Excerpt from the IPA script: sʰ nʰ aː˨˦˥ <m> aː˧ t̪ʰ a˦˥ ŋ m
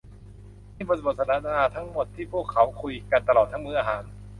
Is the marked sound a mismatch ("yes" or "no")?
yes